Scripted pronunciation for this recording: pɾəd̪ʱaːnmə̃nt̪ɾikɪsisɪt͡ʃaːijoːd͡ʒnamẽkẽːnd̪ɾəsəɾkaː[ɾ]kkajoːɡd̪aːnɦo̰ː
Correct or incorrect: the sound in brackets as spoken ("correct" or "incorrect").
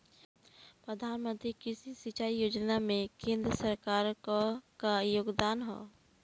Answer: correct